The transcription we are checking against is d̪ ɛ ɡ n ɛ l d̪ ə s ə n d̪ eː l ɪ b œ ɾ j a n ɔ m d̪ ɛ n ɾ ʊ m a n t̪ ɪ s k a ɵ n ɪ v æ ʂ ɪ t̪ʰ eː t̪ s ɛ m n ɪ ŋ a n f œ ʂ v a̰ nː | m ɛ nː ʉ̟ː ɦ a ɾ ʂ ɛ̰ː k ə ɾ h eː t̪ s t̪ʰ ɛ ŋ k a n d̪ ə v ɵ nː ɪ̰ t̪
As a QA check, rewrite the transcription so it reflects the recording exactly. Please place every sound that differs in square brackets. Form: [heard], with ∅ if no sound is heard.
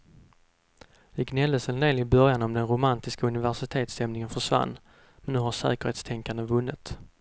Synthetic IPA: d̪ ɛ ɡ n ɛ l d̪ ə s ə n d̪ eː l ɪ b œ ɾ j a n ɔ m d̪ ɛ n ɾ ʊ m a n t̪ ɪ s k a ɵ n ɪ v æ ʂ ɪ t̪ʰ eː t̪ s ɛ m n ɪ ŋ [ə] n f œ ʂ v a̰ nː | m ɛ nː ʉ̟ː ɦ a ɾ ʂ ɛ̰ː k ə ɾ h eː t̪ s t̪ʰ ɛ ŋ k a n d̪ ə v ɵ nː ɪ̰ t̪